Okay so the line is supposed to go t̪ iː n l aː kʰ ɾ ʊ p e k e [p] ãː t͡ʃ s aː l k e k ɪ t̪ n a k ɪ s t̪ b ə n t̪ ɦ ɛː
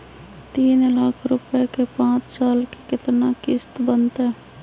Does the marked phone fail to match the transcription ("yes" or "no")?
no